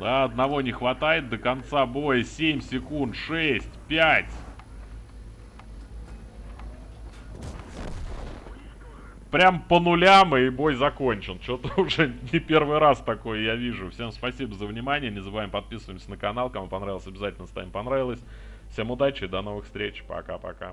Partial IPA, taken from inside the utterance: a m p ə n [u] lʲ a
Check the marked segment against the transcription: incorrect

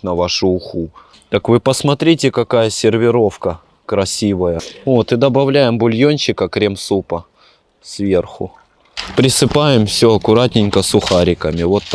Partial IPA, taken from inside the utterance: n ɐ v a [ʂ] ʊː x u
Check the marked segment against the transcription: correct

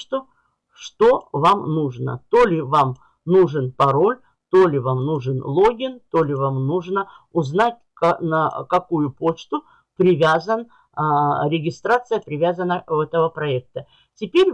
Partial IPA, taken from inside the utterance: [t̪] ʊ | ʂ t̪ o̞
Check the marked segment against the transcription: correct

